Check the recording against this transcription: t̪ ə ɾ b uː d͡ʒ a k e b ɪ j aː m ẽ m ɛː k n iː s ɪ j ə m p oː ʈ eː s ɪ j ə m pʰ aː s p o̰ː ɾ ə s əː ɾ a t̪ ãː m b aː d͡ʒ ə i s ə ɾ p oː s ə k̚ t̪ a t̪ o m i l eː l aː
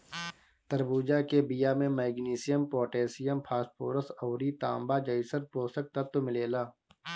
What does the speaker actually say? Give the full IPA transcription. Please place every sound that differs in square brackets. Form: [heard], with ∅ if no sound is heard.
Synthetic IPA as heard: t̪ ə ɾ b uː d͡ʒ a k e b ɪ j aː m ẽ m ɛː [ɡ] n iː s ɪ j ə m p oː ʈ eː s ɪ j ə m pʰ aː s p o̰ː ɾ ə s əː ɾ [i] t̪ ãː m b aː d͡ʒ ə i s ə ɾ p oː s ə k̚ t̪ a t̪ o m [ɪ] l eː l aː